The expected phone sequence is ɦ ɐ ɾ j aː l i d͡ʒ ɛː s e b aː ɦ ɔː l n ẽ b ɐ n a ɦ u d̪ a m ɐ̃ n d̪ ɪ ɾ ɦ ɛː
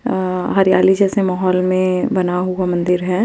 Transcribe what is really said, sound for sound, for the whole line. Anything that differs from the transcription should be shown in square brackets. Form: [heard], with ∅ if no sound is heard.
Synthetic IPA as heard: ɦ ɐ ɾ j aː l i d͡ʒ ɛː s e [m] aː ɦ ɔː l [m] ẽ b ɐ n a ɦ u [∅] a m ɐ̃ n d̪ ɪ ɾ ɦ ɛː